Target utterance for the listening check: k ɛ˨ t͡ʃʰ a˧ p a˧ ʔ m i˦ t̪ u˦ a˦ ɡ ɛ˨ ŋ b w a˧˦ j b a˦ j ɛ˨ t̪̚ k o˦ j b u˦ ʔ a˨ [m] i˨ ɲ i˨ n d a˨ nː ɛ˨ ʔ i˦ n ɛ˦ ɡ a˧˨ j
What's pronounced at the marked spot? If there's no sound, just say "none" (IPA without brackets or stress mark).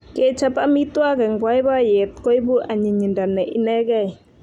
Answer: ɲ